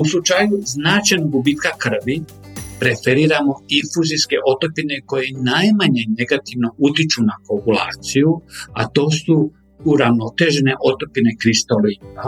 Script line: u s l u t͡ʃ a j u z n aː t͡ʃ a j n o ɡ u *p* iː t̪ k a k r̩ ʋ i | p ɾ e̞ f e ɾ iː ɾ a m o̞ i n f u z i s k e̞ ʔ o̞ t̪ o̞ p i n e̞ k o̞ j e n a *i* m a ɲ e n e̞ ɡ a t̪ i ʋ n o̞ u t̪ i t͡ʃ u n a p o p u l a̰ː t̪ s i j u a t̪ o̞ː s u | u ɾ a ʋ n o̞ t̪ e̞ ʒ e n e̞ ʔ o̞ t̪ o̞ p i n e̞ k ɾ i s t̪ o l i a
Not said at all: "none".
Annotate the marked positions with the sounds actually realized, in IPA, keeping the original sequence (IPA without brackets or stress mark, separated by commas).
b, j